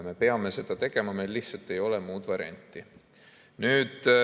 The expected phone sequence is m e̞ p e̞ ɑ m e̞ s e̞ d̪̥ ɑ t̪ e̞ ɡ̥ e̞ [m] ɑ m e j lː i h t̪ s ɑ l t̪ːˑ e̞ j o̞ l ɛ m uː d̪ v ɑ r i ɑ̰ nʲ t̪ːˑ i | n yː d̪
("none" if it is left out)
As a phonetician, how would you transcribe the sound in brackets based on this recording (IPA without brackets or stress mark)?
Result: m